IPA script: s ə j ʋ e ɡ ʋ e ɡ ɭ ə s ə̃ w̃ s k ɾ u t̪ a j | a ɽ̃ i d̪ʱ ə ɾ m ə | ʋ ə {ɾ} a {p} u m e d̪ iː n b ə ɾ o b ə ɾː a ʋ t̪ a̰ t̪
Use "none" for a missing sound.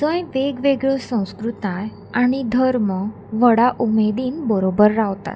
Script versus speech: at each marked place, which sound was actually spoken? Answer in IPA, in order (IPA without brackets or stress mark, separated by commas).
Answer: ɽ, ʔ